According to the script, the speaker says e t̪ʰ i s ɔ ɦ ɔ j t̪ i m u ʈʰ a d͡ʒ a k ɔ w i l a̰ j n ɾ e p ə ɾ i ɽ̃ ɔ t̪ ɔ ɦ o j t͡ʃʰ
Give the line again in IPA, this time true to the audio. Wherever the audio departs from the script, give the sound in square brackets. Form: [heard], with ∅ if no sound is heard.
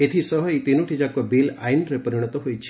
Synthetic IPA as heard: e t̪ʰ i s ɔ ɦ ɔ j t̪ i [n] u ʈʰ [i] d͡ʒ a k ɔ [b] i l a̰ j n ɾ e p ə ɾ i ɽ̃ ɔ t̪ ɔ ɦ o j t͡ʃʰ